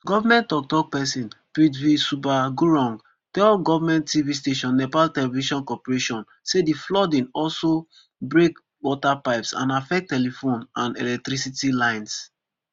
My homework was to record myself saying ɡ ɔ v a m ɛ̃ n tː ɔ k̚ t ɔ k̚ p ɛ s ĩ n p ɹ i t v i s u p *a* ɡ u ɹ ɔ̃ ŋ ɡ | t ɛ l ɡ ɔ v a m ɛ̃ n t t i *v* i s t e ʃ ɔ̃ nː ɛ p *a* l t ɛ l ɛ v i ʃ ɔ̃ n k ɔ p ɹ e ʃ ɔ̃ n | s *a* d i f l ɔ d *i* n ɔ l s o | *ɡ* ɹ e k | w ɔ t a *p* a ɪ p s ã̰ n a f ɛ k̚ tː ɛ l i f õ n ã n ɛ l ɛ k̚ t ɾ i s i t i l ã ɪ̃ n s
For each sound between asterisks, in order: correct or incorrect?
correct, correct, correct, incorrect, incorrect, incorrect, correct

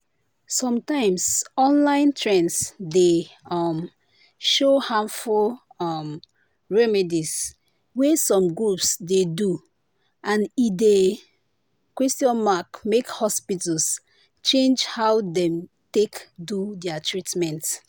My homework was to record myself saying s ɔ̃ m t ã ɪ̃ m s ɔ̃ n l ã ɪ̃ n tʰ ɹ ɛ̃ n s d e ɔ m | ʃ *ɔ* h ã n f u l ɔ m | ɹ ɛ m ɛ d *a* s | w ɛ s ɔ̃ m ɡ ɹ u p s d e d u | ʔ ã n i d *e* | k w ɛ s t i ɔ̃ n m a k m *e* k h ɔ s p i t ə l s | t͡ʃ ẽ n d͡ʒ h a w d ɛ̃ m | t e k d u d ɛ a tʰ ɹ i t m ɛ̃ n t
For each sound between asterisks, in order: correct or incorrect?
incorrect, incorrect, correct, correct

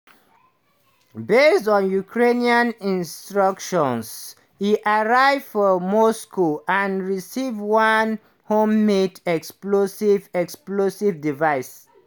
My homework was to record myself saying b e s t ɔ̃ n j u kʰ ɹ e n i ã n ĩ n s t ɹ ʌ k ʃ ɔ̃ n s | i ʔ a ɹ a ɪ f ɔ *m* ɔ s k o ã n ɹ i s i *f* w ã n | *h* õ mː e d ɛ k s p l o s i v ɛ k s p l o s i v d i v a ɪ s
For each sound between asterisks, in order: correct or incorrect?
correct, incorrect, correct

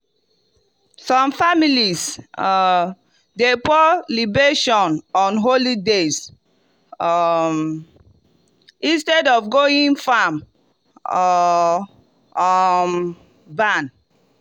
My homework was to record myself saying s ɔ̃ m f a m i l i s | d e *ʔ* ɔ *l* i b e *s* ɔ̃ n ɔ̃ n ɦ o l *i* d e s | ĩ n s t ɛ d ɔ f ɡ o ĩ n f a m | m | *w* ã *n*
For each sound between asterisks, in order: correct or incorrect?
incorrect, correct, incorrect, correct, incorrect, correct

